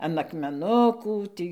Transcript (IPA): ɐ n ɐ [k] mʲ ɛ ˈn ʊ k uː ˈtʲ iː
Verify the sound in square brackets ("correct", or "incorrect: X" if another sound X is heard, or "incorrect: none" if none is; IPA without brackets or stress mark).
correct